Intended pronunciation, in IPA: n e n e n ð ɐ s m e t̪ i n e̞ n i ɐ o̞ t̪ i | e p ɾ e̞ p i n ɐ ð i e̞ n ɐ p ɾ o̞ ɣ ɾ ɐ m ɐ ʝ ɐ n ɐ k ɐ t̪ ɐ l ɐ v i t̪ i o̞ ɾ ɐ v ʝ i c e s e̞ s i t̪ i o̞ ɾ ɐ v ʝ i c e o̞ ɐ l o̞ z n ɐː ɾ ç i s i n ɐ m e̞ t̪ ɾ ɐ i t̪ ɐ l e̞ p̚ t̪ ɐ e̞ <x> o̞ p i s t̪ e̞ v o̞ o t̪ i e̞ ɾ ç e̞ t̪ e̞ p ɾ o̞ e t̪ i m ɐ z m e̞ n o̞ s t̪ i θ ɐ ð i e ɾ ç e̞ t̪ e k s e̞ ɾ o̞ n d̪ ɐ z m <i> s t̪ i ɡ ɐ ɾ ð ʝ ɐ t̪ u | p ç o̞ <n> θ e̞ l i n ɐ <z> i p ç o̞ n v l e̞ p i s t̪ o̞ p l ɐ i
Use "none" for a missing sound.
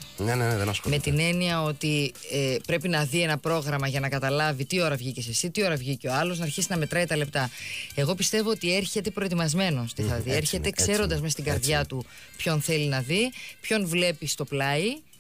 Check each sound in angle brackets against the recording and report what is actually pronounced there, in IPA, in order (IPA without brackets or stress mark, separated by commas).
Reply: ɣ, e, n, ð